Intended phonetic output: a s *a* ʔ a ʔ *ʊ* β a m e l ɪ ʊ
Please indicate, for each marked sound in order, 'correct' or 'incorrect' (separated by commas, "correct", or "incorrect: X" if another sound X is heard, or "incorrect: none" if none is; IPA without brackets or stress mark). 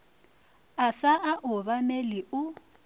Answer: correct, correct